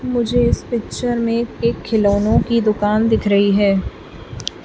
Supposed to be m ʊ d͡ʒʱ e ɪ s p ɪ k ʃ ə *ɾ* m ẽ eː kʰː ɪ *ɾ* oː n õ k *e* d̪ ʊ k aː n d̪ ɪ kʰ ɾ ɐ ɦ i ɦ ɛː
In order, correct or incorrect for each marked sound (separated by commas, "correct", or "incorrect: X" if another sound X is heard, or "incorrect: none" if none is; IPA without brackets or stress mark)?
correct, incorrect: l, incorrect: i